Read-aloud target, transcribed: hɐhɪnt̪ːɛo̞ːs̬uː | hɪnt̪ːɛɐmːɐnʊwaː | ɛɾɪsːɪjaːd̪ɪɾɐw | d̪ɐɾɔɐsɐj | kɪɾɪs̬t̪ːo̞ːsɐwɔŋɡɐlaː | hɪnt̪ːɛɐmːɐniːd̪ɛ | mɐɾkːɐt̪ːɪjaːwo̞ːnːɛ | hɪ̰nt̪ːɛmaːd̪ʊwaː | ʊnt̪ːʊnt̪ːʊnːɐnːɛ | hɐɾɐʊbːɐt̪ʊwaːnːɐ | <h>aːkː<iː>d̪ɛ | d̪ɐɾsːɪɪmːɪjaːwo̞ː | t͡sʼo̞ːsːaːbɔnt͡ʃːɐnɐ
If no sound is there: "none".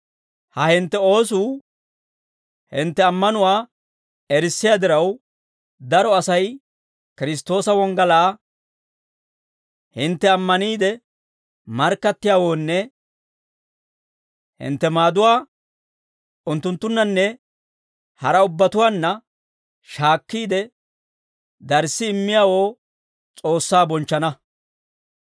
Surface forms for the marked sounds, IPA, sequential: ʃ, iː

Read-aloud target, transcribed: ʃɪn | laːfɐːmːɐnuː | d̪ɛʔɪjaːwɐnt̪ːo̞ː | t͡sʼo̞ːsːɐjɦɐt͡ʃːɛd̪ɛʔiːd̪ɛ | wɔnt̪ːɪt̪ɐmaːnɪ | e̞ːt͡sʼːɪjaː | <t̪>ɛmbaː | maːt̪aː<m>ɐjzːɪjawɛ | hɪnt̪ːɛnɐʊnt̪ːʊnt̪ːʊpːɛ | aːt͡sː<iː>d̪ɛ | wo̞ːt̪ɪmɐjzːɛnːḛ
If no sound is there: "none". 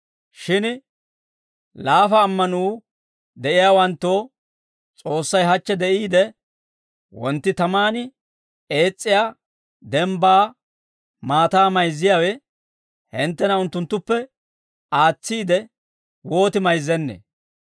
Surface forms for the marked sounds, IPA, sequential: d̪, m, iː

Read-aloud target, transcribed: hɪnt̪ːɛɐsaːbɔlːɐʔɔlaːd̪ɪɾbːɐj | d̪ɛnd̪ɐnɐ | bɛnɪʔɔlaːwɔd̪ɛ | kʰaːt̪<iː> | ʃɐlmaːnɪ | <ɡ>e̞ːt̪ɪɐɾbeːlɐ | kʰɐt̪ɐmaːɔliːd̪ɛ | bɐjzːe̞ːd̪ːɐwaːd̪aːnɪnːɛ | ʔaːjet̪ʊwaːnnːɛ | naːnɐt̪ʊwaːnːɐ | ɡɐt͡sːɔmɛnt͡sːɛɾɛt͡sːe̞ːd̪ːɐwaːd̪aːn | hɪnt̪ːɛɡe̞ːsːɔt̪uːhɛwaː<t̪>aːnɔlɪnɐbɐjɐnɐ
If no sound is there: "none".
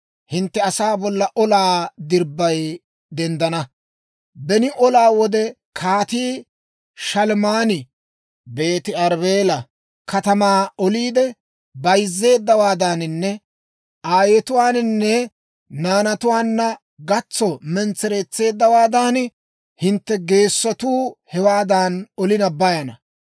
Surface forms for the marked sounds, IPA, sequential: iː, b, d̪

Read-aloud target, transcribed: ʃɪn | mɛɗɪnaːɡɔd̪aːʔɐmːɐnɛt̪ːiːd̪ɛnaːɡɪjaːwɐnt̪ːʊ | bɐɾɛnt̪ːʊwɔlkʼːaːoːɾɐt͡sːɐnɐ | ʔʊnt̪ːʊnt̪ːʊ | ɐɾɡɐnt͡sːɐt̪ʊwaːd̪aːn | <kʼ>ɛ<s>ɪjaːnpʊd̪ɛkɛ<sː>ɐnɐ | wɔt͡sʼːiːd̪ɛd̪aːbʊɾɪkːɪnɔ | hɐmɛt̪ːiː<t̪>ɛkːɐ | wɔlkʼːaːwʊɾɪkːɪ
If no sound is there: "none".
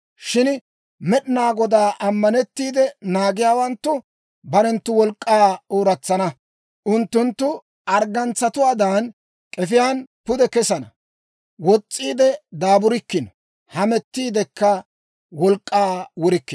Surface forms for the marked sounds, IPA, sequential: kʼ, f, s, d̪

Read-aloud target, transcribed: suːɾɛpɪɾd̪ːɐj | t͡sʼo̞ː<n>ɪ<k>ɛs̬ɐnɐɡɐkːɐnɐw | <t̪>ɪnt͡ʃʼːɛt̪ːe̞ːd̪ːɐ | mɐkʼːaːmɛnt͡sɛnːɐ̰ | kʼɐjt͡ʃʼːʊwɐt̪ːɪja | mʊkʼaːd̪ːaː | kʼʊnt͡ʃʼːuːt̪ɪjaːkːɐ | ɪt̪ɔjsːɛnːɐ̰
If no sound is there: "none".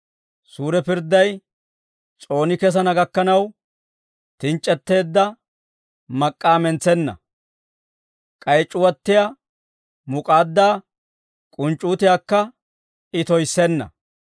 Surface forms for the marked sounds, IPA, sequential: n, k, t̪

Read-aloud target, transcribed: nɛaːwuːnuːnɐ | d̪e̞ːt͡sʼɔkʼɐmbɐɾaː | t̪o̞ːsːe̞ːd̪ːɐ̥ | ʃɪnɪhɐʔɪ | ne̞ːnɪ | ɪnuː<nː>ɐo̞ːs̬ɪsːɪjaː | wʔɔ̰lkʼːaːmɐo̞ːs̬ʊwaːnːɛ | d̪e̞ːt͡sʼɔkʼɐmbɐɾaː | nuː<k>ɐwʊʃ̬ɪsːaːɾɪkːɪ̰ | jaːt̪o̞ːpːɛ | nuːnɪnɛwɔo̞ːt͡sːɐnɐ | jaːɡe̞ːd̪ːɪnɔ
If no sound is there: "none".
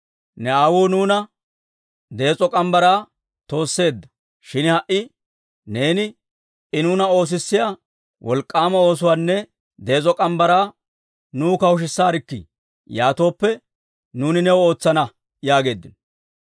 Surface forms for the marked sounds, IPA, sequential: n, k

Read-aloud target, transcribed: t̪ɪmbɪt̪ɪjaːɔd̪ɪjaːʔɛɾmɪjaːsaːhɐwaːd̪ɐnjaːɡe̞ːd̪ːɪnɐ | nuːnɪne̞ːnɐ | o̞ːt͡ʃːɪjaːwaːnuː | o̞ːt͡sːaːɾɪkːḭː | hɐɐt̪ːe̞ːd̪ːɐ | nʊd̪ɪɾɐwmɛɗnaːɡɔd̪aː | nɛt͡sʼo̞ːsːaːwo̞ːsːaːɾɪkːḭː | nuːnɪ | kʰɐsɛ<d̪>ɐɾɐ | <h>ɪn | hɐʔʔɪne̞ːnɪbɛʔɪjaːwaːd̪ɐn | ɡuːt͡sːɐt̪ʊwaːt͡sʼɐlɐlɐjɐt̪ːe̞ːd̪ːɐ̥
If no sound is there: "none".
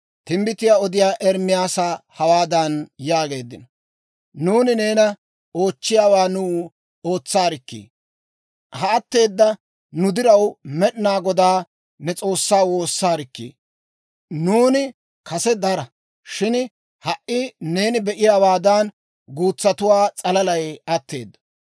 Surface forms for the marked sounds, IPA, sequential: d̪, ʃ

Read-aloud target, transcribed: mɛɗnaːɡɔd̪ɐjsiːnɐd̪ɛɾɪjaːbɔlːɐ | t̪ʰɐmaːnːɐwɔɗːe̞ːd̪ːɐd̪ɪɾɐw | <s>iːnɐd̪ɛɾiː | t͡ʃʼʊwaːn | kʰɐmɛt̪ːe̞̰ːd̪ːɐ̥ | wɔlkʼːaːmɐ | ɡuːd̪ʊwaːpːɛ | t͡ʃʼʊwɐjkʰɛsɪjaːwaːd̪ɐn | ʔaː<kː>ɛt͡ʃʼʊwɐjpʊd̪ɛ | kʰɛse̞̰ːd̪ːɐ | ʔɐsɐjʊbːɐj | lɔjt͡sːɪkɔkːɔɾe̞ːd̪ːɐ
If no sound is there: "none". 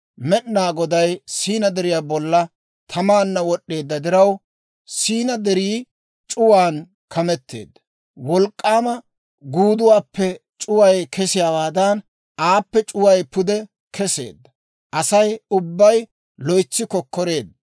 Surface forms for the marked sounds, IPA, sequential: s, pː

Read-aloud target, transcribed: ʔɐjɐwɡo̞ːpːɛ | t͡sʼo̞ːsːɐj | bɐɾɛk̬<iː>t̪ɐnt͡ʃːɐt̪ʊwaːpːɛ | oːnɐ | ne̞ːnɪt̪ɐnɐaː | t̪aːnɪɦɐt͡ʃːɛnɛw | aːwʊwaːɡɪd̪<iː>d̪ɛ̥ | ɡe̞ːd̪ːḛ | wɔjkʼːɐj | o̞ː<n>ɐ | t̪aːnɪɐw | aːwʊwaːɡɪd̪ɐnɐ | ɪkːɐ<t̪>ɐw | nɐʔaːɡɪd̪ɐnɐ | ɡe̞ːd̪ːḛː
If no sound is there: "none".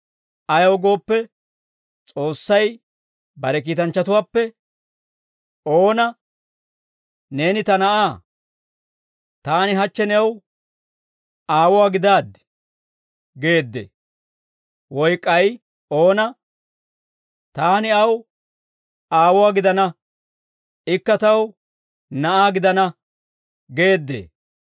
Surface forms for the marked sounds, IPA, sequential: iː, aː, n, t̪

